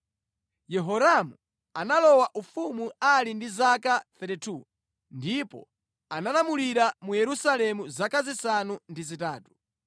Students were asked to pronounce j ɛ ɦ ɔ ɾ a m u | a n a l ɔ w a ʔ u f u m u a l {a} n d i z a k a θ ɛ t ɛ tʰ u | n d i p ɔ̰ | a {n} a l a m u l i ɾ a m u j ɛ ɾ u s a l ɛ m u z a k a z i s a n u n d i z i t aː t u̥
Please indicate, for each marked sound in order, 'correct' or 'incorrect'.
incorrect: i, correct

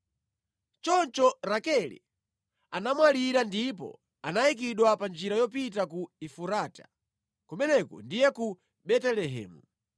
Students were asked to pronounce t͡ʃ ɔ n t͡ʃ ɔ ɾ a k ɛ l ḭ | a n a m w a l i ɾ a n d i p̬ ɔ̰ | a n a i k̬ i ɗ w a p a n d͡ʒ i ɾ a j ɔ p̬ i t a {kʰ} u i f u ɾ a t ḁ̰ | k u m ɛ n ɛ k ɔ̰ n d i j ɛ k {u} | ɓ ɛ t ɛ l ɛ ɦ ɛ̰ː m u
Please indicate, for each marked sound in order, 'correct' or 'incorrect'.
incorrect: k, correct

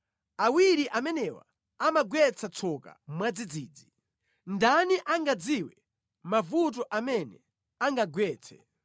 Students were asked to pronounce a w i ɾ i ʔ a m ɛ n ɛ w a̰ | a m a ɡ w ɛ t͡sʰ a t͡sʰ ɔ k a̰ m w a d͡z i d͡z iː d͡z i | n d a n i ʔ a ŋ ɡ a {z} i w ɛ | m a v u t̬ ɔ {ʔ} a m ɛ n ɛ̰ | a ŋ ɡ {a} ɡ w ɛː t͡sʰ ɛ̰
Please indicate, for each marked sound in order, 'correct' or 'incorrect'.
incorrect: d͡z, correct, correct

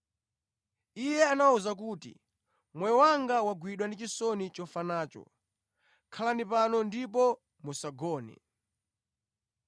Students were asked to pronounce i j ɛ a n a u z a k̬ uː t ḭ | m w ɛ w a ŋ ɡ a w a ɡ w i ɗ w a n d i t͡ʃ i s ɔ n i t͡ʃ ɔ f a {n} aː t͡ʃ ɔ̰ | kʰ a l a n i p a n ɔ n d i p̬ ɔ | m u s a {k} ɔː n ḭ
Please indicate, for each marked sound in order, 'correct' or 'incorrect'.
correct, incorrect: ɡ

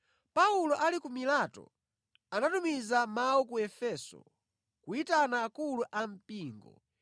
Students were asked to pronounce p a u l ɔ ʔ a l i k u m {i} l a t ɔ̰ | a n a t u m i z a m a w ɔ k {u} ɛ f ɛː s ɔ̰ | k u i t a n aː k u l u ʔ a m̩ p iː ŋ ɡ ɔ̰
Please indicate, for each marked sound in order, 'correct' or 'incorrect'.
correct, correct

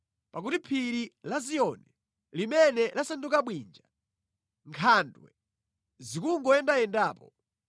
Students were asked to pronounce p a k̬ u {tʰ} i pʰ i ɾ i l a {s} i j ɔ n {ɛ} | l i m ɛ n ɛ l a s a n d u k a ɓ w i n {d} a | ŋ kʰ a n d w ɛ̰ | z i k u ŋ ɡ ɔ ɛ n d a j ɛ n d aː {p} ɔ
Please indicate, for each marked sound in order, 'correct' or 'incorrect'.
incorrect: t, incorrect: z, correct, incorrect: d͡ʒ, correct

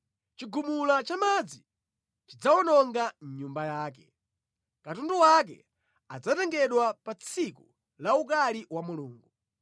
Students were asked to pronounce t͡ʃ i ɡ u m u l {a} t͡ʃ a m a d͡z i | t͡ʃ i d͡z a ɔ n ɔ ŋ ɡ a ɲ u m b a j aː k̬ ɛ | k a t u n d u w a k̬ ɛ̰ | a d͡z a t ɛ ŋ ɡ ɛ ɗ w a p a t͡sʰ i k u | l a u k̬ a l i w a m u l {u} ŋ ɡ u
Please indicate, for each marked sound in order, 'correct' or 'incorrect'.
correct, incorrect: uː

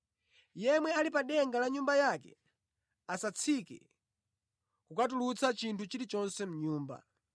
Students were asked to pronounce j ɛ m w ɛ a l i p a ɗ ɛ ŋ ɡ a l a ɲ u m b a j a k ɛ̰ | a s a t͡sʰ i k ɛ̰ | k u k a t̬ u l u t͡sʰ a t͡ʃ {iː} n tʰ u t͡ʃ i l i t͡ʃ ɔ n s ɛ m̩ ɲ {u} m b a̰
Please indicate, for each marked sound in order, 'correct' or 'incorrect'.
incorrect: i, incorrect: uː

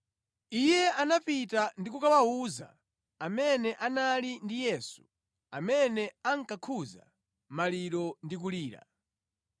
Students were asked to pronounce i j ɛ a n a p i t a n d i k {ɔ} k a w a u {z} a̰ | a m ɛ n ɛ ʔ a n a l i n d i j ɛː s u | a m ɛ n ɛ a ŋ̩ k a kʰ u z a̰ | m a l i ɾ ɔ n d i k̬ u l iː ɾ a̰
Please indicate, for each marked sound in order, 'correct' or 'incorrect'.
incorrect: u, correct

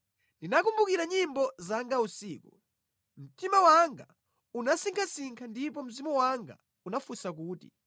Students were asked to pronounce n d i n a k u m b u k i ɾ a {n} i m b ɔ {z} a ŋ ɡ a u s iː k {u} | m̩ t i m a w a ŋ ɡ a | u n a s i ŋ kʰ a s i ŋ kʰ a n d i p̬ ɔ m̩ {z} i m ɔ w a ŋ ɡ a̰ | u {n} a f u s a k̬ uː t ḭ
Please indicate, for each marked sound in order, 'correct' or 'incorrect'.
incorrect: ɲ, correct, correct, correct, correct

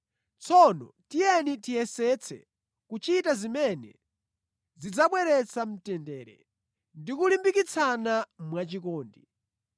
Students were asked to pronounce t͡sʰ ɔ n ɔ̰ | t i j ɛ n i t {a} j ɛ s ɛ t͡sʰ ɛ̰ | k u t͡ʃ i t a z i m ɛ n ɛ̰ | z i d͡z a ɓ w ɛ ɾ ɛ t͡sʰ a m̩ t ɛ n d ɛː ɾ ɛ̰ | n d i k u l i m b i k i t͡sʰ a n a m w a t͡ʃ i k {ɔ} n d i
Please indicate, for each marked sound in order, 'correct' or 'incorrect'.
incorrect: i, incorrect: ɔː

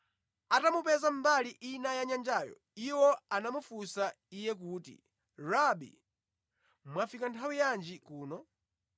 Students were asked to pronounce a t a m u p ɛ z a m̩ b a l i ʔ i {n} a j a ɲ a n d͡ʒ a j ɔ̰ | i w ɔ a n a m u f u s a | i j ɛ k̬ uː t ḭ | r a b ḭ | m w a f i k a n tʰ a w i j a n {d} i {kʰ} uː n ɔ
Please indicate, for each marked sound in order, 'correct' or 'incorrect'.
correct, incorrect: d͡ʒ, incorrect: k

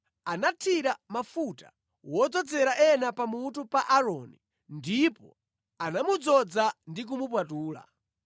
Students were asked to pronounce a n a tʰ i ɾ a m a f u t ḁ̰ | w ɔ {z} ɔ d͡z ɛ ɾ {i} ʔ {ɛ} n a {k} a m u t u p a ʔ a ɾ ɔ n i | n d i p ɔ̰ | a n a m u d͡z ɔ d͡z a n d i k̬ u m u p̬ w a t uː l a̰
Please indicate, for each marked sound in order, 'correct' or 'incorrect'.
incorrect: d͡z, incorrect: a, correct, incorrect: p

